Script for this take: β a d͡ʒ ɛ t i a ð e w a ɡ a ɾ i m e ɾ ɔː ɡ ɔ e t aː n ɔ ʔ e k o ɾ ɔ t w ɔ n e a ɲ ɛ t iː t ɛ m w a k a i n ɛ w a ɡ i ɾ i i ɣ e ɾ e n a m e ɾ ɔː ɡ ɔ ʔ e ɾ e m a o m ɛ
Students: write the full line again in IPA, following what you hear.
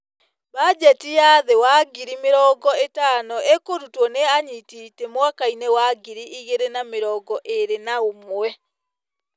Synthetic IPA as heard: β a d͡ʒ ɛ t i a ð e w a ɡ i ɾ i m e ɾ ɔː ɡ ɔ e t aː n ɔ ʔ e k o ɾ u t w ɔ n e a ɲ i t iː t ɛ m w a k a i n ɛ w a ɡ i ɾ i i ɣ e ɾ e n a m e ɾ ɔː ɡ ɔ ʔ e ɾ e n a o m ɛ